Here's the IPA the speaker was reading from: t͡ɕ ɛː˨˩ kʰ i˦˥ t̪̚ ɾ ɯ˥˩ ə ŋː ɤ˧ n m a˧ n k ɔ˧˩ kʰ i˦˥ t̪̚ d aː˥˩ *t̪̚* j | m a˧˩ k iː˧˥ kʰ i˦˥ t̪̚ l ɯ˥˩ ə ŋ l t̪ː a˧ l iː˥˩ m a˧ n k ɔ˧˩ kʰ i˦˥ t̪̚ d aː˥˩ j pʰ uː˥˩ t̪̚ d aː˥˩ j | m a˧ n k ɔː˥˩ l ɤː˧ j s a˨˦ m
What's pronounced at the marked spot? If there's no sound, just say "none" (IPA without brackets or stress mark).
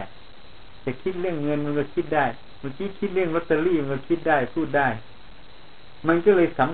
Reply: none